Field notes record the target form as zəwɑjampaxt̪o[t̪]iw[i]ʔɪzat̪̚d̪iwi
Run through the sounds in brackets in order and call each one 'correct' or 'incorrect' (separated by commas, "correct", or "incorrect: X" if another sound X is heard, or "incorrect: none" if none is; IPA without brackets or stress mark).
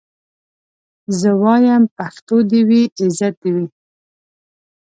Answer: incorrect: d̪, correct